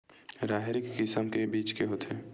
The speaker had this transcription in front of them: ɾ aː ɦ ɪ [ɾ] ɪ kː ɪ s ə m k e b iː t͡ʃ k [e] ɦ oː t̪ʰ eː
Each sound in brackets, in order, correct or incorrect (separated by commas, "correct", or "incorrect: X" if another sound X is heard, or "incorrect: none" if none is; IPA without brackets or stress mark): correct, correct